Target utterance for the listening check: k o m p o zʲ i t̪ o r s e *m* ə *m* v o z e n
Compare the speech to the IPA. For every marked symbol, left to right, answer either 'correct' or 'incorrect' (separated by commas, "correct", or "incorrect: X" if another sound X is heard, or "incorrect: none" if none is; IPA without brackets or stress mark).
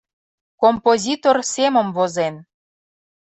correct, correct